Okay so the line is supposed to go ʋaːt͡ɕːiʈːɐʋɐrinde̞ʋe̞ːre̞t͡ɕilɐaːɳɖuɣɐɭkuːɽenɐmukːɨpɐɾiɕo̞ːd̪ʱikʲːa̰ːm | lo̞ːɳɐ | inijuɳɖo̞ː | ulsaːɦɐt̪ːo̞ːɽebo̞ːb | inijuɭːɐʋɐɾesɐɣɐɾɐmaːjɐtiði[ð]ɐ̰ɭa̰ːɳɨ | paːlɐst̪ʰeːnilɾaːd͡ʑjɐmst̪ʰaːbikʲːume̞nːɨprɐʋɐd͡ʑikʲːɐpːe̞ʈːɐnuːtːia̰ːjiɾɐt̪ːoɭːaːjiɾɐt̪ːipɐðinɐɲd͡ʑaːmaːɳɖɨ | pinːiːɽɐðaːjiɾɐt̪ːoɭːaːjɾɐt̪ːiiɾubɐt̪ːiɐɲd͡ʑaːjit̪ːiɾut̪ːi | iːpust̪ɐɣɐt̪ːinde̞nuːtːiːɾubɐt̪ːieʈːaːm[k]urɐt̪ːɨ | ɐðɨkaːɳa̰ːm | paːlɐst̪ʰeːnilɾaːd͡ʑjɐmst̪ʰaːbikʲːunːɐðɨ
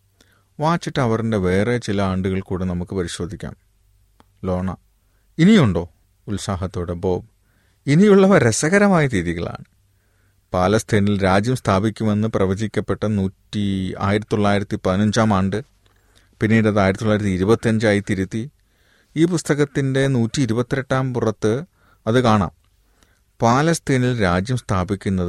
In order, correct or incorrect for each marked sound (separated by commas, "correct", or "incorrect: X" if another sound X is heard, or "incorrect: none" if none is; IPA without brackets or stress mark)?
incorrect: ɣ, incorrect: p